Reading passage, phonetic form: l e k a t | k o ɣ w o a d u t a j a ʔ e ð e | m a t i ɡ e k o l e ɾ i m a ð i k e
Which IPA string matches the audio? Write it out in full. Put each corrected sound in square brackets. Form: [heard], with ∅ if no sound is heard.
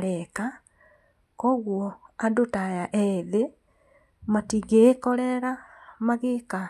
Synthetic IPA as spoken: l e k a [∅] | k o ɣ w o a d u t a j a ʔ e ð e | m a t i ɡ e k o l e ɾ [a] m a [ɣ] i k [a]